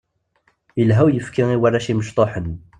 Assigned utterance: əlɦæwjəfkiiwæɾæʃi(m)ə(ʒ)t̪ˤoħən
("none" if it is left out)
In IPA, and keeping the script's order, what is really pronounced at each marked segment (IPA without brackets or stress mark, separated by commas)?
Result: m, ʃ